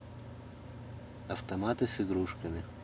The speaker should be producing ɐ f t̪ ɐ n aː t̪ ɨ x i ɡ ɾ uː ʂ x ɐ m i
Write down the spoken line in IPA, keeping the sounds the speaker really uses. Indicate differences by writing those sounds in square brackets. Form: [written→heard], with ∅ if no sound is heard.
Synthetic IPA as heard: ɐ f t̪ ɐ [n→m] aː t̪ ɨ [x→s] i ɡ ɾ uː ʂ [x→k] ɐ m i